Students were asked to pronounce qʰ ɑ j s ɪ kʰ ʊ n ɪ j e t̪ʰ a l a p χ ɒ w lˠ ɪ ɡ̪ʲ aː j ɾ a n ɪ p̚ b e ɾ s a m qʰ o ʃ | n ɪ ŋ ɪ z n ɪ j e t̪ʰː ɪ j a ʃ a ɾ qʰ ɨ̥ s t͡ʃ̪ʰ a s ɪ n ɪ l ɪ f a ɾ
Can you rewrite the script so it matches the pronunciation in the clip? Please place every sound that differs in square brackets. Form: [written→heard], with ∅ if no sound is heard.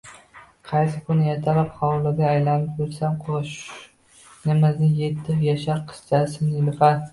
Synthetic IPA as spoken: qʰ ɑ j s ɪ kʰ ʊ n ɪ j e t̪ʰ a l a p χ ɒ w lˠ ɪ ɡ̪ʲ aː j [ɾ→l] a n ɪ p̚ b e ɾ s a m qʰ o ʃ | n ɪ [ŋ→m] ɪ z n ɪ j e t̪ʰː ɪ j a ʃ a ɾ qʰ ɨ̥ s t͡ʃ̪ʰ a s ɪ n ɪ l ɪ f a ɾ